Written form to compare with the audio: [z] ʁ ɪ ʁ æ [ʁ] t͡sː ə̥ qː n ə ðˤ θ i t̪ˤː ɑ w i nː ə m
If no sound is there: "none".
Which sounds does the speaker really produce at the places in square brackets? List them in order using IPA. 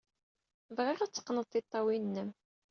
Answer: v, none

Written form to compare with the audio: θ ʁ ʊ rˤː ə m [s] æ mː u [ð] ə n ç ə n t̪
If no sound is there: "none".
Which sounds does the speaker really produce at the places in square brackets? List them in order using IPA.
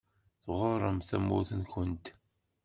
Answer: θ, θ

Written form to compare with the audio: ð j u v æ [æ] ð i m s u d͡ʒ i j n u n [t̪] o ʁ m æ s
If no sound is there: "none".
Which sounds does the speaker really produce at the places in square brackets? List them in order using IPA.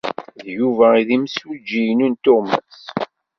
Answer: i, t̪

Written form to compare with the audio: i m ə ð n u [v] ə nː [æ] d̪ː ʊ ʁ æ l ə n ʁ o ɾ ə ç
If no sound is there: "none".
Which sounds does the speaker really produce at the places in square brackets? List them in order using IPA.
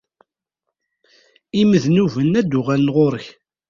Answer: v, æ

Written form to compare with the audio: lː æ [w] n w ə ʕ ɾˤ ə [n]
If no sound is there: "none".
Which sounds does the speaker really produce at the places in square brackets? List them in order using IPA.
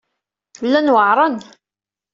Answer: none, n

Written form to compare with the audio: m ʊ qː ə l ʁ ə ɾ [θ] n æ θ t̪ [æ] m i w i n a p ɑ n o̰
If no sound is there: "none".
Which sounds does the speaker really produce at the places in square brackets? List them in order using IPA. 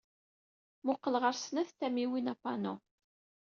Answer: s, æ

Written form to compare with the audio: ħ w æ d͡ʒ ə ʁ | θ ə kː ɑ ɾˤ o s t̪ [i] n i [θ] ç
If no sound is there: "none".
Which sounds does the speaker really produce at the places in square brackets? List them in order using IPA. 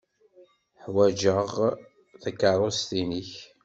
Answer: i, none

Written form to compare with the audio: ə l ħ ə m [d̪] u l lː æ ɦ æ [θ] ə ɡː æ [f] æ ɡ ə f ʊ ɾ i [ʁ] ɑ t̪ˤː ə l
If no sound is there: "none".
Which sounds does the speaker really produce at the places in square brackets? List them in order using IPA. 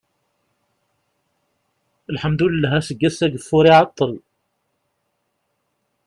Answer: d̪, s, s, ʕ

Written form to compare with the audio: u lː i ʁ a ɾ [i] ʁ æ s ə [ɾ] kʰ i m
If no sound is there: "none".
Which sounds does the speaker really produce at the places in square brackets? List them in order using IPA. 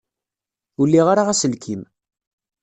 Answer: a, l

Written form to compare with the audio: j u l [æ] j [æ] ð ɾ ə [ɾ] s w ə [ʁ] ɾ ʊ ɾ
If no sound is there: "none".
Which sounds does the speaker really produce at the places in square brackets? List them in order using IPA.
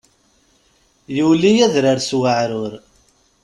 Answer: i, æ, ɾ, ʕ

